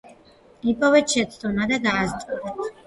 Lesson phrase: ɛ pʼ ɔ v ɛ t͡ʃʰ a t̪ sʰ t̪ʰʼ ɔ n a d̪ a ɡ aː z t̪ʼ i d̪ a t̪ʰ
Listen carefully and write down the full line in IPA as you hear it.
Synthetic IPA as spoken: i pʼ ɔ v ɛ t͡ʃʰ ɛ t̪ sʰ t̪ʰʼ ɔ n a d̪ a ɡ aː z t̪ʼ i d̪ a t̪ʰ